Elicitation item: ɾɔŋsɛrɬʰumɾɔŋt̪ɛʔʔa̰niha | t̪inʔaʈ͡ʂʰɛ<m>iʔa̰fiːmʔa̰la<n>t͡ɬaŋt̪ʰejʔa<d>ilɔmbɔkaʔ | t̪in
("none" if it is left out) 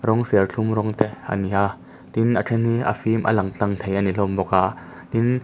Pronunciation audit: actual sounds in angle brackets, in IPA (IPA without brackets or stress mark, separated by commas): n, ŋ, n